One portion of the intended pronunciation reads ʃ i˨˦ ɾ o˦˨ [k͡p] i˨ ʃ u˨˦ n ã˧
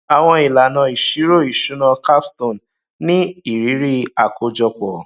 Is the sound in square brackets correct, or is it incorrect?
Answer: incorrect